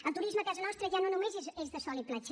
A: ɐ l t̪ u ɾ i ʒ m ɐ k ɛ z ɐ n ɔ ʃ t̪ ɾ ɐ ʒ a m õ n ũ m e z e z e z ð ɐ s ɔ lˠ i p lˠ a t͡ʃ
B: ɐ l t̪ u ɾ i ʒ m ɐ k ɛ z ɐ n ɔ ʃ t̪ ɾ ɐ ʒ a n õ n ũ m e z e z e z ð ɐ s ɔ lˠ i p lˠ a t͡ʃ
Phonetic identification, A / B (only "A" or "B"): B